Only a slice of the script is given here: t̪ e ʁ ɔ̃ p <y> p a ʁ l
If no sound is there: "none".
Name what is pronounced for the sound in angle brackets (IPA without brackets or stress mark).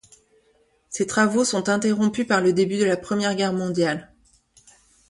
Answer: y